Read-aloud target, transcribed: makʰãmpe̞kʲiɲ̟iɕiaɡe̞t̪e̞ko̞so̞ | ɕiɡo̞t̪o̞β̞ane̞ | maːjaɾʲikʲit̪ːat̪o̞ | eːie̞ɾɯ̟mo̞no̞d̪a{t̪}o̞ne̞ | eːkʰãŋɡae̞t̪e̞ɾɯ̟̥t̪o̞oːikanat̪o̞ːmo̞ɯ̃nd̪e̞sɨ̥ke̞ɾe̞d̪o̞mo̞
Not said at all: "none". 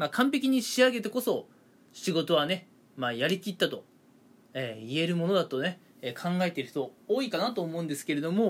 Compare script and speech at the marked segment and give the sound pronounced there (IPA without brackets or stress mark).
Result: t̪